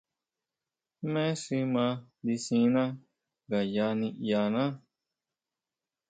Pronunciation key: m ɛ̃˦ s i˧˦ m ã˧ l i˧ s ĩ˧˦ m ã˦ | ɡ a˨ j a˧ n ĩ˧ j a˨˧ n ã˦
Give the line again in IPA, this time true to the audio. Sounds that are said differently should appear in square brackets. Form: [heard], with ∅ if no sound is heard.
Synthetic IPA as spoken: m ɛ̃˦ s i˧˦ m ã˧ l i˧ s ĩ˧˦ [n] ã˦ | ɡ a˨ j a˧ n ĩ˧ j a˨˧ n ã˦